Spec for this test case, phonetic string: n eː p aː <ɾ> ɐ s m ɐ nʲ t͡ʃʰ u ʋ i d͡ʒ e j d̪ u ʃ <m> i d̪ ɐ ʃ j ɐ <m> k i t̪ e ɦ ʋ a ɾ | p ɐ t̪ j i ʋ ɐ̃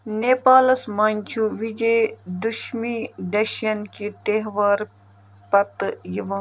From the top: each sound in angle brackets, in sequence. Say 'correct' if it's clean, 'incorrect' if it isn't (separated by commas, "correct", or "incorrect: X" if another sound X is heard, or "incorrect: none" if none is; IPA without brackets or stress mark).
incorrect: l, correct, incorrect: n